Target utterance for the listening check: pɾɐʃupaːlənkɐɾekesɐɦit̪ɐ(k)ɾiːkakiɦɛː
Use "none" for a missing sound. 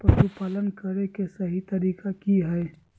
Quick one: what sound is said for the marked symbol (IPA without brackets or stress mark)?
none